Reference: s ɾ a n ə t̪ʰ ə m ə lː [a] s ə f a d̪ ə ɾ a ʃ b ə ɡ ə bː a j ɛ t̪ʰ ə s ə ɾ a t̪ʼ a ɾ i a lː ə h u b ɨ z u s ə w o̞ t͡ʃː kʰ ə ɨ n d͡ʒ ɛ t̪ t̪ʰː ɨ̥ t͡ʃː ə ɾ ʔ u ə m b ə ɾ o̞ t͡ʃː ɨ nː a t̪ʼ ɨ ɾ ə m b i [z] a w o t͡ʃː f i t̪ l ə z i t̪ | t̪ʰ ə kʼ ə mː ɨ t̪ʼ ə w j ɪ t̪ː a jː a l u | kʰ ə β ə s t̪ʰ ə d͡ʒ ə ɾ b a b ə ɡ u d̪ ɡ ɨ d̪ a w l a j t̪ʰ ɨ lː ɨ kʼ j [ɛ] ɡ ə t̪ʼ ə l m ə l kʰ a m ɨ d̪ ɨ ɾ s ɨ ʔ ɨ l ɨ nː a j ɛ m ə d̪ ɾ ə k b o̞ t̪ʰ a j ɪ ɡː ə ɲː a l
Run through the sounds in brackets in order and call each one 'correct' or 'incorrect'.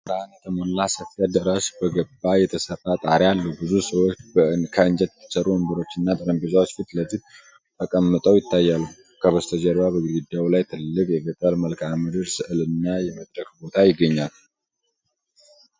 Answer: correct, correct, correct

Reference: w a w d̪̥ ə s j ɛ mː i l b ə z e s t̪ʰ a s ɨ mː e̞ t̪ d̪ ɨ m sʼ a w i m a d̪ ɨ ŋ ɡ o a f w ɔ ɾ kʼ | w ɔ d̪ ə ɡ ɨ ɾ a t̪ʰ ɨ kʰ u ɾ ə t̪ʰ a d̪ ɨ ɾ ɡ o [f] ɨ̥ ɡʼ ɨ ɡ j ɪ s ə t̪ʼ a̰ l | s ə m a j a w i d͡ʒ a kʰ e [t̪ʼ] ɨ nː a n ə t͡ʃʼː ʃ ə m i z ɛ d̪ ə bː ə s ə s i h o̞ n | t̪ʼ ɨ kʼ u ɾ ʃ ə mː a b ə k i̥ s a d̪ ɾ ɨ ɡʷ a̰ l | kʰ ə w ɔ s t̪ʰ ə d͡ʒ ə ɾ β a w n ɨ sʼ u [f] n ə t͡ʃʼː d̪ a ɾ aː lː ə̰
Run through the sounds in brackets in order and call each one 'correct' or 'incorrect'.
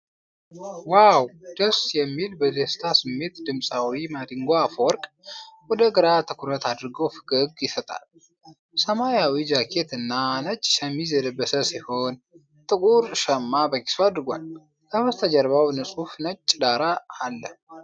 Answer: correct, incorrect: t̪, correct

